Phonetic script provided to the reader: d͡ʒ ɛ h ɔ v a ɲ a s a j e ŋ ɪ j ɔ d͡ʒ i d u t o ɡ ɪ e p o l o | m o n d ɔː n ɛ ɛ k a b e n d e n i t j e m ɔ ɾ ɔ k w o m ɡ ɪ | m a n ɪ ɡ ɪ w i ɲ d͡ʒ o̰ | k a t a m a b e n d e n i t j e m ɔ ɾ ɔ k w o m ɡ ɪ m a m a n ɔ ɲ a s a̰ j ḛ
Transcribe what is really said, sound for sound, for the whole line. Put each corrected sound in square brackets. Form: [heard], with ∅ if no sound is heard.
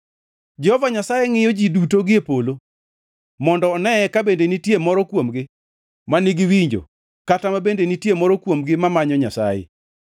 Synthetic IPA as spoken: d͡ʒ ɛ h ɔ v a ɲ a s a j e ŋ ɪ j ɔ d͡ʒ i d u t o ɡ ɪ e p o l o | m [ɔ] n d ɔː n ɛ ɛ k a b e n d e n i t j e m ɔ ɾ ɔ k w o m ɡ ɪ | m a n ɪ ɡ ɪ w i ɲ d͡ʒ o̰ | k a t a m a b e n d e n i t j e m ɔ ɾ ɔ k w o m ɡ ɪ m a m a [ɲ] ɔ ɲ a s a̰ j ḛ